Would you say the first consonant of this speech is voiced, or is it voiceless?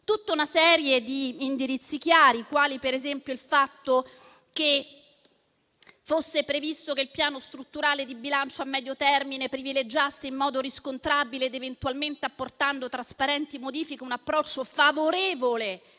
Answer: voiceless